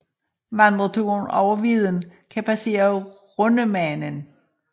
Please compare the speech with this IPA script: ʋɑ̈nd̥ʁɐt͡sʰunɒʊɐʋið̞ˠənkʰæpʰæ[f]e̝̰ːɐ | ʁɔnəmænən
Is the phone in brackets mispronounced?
yes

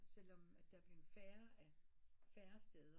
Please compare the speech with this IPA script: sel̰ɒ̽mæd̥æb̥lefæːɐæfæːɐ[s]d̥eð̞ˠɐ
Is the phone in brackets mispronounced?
no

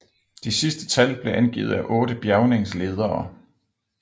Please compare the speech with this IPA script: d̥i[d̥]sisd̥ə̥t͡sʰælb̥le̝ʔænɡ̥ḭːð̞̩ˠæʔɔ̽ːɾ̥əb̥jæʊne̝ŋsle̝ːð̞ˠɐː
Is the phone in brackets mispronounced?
yes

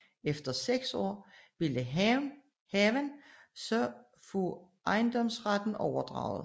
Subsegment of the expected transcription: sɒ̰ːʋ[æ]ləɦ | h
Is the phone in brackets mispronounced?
yes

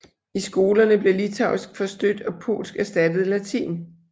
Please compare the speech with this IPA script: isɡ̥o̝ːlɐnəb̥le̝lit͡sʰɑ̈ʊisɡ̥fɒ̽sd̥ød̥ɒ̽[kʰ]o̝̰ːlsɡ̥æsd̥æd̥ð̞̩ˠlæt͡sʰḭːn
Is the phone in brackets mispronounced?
yes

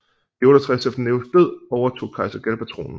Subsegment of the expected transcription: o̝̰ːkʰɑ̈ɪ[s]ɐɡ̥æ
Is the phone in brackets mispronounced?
no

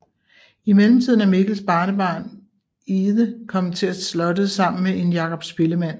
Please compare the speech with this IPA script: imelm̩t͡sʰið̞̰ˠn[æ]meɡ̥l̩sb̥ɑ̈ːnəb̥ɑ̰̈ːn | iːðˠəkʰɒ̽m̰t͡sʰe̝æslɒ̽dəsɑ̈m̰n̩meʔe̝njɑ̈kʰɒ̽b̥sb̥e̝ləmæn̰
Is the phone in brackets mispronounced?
no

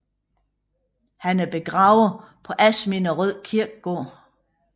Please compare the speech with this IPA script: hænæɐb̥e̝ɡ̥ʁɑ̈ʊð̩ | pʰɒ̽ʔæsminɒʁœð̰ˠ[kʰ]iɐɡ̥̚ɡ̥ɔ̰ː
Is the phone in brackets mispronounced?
no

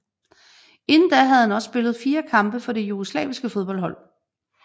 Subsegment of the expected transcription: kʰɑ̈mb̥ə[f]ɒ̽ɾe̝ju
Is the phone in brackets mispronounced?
no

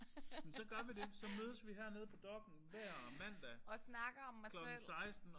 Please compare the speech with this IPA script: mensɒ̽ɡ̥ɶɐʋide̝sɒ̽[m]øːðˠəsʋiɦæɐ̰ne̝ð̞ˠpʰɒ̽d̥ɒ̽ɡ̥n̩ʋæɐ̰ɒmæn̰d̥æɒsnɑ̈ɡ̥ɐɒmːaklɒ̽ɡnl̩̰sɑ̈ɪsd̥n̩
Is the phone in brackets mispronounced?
no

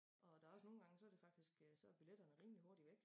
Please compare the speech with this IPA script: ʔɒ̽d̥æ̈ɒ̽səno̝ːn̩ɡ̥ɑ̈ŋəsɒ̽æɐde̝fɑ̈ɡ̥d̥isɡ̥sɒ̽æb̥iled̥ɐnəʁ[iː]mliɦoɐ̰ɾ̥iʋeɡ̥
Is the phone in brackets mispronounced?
no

